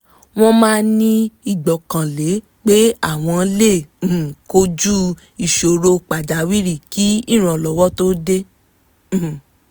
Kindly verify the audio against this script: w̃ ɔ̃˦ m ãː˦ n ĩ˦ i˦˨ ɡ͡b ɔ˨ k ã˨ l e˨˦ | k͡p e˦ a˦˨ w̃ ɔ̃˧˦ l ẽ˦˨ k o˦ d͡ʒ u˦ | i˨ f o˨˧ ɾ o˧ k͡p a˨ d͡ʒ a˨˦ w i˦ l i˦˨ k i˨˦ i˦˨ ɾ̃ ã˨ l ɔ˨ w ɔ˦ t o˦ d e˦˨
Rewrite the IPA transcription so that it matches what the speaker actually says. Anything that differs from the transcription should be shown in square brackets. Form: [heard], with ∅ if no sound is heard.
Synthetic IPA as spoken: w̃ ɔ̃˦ m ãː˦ n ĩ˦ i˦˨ ɡ͡b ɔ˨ k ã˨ l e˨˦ | k͡p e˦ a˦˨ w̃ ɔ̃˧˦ l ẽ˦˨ k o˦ d͡ʒ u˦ | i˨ [ʃ] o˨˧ ɾ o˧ k͡p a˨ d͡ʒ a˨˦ w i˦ [ɾ] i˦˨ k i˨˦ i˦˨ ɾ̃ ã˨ l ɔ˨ w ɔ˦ t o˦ d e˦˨